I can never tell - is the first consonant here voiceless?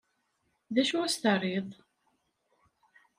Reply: no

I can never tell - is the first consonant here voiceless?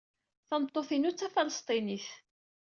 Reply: yes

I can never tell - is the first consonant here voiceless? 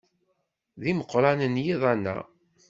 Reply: no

